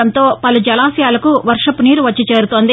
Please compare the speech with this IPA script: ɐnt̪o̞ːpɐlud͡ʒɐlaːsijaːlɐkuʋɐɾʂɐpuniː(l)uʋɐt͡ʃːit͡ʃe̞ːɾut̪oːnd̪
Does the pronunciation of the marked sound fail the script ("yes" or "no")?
yes